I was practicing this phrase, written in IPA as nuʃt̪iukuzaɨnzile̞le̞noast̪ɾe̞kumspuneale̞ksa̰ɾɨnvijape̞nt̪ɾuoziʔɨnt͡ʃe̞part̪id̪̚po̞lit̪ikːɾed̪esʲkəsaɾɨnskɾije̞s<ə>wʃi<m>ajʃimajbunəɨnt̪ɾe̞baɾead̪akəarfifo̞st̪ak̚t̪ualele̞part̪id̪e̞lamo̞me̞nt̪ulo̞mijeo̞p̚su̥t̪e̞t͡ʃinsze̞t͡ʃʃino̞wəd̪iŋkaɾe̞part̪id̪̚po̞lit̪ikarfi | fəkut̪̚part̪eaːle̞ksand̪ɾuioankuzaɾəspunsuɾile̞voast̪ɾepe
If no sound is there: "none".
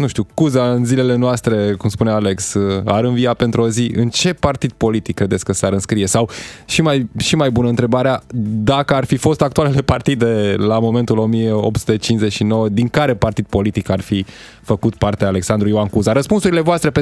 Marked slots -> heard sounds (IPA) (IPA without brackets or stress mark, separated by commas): a, m